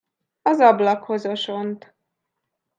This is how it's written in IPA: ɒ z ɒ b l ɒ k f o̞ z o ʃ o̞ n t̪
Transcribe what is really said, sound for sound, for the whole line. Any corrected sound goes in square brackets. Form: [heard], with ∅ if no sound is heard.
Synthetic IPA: ɒ z ɒ b l ɒ k [h] o̞ z o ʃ o̞ n t̪